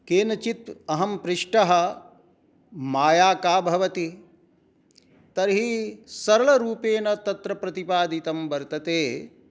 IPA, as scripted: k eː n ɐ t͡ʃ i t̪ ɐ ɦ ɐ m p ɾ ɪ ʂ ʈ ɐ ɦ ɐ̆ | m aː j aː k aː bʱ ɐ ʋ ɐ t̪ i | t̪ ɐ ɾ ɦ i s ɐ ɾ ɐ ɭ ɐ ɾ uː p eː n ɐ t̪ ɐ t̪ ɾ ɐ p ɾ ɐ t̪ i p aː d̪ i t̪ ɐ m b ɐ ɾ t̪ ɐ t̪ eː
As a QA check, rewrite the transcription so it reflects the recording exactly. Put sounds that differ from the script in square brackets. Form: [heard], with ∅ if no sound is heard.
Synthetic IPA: k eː n ɐ t͡ʃ i t̪ ɐ ɦ ɐ m p ɾ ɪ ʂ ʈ ɐ ɦ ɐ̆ | m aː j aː k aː bʱ ɐ ʋ ɐ t̪ i | t̪ ɐ ɾ ɦ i s ɐ ɾ ɐ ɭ ɐ ɾ uː p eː n ɐ t̪ ɐ t̪ ɾ ɐ p ɾ ɐ t̪ i p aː d̪ i t̪ ɐ m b ɐ ɾ t̪ ɐ t̪ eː